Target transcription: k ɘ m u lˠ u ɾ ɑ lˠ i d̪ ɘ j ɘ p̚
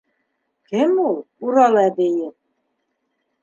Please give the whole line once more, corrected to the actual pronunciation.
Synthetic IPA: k ɘ m u lˠ u ɾ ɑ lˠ æ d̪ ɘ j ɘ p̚